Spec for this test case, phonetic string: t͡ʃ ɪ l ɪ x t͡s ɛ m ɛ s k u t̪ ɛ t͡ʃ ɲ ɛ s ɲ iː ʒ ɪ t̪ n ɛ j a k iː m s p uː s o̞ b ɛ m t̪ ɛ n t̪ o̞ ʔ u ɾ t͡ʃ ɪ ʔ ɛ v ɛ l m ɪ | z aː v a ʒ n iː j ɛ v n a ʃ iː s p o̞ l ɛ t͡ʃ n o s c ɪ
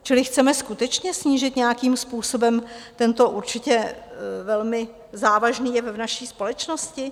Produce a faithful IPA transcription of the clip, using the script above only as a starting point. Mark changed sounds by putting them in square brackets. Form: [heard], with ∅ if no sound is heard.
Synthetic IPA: t͡ʃ ɪ l ɪ x t͡s ɛ m ɛ s k u t̪ ɛ t͡ʃ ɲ ɛ s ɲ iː ʒ ɪ t̪ [ɲ] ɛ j a k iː m s p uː s o̞ b ɛ m t̪ ɛ n t̪ o̞ ʔ u ɾ t͡ʃ ɪ [c] ɛ v ɛ l m ɪ | z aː v a ʒ n iː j ɛ v n a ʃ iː s p o̞ l ɛ t͡ʃ n o s c ɪ